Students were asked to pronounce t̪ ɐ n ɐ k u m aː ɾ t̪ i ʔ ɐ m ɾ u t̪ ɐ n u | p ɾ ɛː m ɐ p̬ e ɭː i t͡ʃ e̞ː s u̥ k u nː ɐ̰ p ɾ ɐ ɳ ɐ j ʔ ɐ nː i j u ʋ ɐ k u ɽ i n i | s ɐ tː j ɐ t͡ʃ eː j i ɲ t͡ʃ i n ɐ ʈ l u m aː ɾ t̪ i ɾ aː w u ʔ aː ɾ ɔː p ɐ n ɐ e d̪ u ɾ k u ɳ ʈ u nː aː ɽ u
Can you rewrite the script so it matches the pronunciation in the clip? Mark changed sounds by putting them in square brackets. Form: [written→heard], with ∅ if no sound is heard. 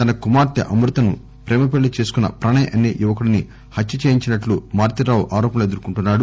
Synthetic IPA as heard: t̪ ɐ n ɐ k u m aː ɾ t̪ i ʔ ɐ m ɾ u t̪ ɐ n u | p ɾ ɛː m ɐ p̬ e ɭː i t͡ʃ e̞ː s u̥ k u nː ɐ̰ p ɾ ɐ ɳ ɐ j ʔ ɐ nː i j u ʋ ɐ k u ɽ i n i | [s→h] ɐ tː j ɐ t͡ʃ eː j i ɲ t͡ʃ i n ɐ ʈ l u m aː ɾ t̪ i ɾ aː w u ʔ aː ɾ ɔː p ɐ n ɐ e d̪ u ɾ k u ɳ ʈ u nː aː ɽ u